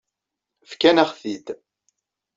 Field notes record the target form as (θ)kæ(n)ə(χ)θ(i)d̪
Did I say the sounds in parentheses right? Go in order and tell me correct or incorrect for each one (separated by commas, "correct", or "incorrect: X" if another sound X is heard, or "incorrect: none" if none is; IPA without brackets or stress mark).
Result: incorrect: f, correct, correct, correct